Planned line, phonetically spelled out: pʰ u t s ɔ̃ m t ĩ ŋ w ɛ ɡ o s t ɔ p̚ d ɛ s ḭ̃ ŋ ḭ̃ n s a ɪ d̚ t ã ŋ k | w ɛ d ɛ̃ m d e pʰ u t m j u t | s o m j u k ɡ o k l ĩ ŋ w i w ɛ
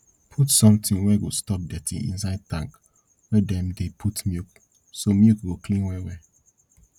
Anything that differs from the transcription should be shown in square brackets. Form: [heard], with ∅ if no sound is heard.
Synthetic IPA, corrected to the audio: pʰ u t s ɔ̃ m t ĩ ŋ w ɛ ɡ o s t ɔ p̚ d ɛ [t] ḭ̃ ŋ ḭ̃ n s a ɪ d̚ t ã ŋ k | w ɛ d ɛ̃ m d e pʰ u t m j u [k] | s o m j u k ɡ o k l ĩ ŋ w [ɛ] w ɛ